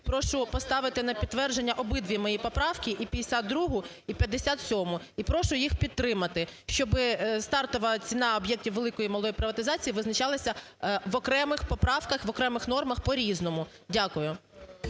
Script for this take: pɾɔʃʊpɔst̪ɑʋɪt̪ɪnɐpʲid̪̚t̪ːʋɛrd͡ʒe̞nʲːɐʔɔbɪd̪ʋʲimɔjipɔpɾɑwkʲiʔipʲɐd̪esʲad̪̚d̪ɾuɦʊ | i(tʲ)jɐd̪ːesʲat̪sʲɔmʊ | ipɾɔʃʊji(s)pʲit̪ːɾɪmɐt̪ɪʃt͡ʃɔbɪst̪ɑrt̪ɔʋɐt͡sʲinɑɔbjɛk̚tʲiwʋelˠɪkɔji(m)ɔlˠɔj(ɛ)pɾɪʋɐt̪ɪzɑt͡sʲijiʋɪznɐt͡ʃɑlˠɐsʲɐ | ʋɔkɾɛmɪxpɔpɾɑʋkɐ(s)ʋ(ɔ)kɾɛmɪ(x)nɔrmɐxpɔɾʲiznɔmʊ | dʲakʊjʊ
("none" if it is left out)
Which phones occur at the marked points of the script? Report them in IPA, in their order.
pʲ, x, m, i, x, ɔ, x

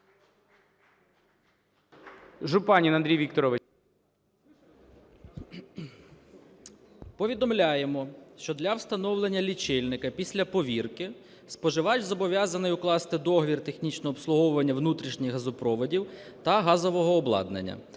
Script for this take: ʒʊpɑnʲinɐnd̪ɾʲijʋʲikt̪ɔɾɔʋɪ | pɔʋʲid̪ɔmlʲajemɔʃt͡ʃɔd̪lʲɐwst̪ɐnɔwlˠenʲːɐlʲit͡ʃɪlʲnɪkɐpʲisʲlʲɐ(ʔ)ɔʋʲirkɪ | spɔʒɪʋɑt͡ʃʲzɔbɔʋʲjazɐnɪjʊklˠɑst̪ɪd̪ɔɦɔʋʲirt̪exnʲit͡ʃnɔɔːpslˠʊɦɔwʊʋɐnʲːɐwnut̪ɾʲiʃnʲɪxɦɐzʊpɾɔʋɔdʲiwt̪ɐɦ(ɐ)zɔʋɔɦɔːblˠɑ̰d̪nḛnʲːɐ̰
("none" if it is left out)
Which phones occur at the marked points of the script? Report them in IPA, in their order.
p, ɑ

